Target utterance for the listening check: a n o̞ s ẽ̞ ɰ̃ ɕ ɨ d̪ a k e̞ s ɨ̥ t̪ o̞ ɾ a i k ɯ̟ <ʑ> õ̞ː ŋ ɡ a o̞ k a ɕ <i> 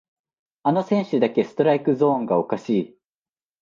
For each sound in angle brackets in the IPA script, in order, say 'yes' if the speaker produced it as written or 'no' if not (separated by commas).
no, no